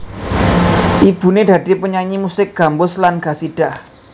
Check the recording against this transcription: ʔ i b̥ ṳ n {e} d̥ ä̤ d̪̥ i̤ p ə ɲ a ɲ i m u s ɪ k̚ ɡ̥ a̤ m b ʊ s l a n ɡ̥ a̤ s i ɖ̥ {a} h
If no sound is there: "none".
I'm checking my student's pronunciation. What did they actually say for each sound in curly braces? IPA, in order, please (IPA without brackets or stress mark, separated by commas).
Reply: e, a